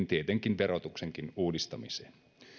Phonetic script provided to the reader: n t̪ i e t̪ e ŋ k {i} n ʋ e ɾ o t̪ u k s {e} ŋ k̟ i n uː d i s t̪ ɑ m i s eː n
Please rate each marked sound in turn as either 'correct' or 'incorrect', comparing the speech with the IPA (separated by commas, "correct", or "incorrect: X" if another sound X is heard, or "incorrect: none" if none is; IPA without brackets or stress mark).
correct, correct